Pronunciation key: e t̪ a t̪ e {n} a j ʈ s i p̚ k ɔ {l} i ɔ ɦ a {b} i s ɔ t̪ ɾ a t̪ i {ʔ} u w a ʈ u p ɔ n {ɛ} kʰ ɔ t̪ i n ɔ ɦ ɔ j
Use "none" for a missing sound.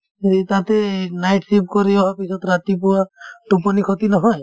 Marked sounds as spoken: n, ɾ, p, p, i

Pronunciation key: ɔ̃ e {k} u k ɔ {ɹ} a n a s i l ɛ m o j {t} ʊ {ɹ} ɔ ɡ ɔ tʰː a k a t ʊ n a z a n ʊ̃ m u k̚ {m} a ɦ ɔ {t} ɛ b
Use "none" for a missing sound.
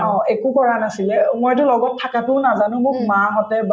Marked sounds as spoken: k, ɹ, t, l, m, t

